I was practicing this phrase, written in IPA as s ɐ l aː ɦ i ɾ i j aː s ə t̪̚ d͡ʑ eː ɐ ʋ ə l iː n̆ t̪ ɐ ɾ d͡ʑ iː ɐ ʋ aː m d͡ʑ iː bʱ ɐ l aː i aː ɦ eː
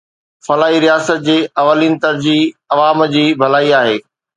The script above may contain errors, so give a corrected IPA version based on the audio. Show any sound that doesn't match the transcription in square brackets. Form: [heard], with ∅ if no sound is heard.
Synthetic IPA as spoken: [f] ɐ l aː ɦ i ɾ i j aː s ə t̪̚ d͡ʑ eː ɐ ʋ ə l iː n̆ t̪ ɐ ɾ d͡ʑ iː ɐ ʋ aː m d͡ʑ iː bʱ ɐ l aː i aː ɦ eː